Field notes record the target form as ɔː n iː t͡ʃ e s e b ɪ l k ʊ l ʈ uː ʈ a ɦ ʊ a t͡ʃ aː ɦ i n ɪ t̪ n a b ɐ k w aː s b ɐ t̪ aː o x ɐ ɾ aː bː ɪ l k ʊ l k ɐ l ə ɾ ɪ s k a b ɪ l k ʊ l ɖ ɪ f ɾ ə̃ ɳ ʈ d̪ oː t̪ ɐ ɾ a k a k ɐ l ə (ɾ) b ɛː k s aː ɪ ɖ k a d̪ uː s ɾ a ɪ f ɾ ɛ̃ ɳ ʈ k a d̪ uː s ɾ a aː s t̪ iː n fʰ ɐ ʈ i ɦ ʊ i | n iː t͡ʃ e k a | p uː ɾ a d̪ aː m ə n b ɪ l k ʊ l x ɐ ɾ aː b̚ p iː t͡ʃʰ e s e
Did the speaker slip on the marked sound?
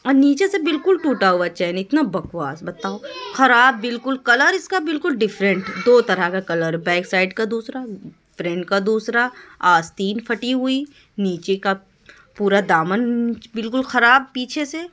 no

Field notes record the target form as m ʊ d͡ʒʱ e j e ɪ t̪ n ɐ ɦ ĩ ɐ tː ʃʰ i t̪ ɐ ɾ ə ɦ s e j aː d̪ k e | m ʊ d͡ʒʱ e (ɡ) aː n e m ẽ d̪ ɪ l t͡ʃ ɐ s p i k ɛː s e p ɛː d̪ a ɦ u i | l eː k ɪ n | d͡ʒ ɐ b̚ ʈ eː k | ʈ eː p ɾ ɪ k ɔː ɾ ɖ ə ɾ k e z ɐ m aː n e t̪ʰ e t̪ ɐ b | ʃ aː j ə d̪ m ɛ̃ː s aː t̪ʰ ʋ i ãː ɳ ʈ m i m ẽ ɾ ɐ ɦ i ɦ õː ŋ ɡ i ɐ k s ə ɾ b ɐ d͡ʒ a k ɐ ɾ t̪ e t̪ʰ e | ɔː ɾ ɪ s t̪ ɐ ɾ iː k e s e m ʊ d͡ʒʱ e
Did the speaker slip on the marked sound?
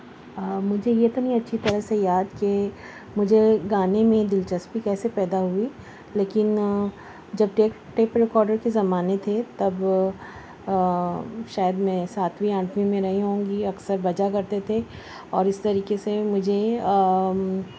no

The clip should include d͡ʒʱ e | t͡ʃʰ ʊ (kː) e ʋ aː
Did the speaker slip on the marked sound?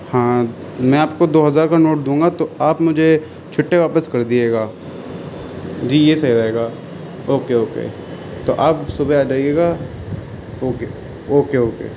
yes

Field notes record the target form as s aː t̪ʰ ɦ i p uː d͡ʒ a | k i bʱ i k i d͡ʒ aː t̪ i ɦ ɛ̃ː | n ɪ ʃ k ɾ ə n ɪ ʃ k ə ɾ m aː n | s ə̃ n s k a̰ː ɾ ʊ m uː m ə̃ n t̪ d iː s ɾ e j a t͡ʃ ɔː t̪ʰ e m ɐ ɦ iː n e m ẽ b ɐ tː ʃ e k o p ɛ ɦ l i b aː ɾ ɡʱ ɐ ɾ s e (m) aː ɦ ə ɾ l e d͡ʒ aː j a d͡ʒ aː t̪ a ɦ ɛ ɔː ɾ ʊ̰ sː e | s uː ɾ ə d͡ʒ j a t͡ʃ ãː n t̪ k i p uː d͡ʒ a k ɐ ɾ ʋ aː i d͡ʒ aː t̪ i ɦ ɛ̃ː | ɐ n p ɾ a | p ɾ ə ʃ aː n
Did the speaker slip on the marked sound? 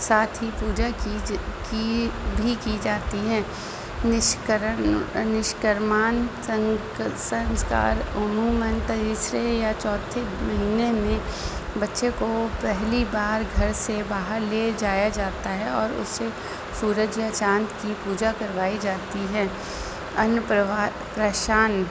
yes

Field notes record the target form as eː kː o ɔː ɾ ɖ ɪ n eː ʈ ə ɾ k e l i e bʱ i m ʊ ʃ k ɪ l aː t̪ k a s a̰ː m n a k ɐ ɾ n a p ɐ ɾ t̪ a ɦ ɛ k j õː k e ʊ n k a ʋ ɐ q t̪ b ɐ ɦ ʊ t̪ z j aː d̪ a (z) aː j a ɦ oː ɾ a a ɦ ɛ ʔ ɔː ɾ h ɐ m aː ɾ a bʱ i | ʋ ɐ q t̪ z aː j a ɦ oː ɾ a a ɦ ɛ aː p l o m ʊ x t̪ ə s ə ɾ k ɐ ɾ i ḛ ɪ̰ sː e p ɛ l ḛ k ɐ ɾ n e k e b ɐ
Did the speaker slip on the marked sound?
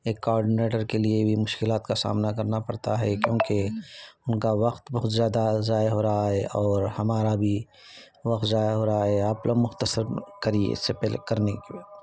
no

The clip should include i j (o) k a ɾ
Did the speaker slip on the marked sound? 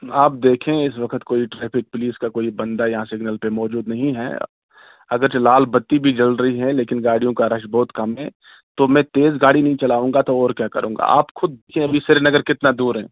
yes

